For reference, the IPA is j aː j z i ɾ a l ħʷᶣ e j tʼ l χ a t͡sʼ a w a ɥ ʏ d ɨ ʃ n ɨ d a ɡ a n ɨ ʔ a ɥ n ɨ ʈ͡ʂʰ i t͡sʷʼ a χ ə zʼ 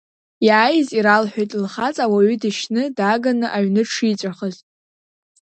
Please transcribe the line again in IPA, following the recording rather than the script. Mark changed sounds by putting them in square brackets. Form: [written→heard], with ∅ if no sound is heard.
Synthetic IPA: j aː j z i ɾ a l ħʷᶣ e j tʼ l χ a t͡sʼ a w a ɥ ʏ d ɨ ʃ n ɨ d a ɡ a n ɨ ʔ a ɥ n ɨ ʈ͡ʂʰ i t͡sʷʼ a χ ə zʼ